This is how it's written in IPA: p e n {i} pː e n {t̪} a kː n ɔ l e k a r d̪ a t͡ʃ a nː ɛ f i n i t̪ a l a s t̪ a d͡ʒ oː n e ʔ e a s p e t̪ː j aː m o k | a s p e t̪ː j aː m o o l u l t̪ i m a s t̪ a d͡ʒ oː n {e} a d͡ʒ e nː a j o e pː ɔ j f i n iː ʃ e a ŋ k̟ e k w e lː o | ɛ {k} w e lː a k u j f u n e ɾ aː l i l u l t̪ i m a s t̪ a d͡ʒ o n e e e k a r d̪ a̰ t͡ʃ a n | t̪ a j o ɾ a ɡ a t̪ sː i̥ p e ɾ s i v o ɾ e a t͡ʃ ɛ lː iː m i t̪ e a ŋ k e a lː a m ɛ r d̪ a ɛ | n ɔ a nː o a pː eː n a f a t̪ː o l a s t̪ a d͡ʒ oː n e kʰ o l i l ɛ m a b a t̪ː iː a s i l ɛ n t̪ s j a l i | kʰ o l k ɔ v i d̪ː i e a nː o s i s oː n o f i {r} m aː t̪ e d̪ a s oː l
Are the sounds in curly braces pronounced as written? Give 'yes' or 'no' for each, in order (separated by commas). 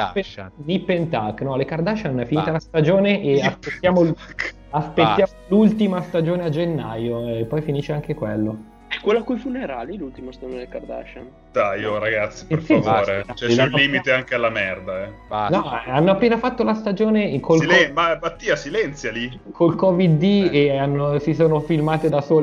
yes, yes, yes, yes, no